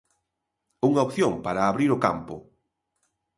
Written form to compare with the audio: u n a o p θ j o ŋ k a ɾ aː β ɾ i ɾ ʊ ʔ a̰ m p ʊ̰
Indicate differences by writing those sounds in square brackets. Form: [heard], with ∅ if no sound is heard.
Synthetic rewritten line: u [ŋ] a o p θ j o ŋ [p] a ɾ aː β ɾ i ɾ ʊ [k] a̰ m p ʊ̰